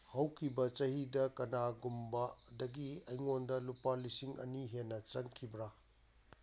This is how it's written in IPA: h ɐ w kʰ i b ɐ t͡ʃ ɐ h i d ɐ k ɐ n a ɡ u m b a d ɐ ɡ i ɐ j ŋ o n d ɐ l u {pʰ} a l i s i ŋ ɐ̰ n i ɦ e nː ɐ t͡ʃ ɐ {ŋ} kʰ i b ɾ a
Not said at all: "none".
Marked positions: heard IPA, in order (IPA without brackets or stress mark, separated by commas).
p, ŋ